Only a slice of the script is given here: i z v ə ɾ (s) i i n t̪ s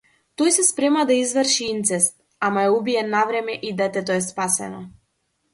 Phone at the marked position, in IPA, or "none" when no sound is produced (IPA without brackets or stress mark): ʃ